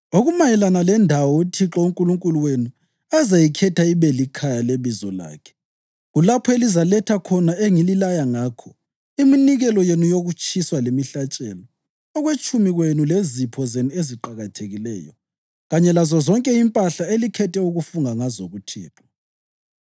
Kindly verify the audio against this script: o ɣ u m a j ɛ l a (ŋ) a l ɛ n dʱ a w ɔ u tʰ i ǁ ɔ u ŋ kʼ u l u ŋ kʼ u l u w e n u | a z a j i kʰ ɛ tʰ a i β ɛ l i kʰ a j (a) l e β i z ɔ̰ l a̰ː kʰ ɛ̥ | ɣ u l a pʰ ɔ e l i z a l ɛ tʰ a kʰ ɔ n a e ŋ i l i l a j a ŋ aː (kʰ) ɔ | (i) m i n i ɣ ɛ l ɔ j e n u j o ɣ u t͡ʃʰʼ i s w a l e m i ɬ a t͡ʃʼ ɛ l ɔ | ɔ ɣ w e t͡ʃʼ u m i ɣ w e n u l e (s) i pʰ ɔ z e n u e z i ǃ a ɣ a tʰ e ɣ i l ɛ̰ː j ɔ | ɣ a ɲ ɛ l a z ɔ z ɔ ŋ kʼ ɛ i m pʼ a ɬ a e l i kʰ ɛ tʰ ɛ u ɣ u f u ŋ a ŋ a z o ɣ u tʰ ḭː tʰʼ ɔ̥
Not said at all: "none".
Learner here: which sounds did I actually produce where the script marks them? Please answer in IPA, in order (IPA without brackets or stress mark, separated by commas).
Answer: n, a, kʰ, i, z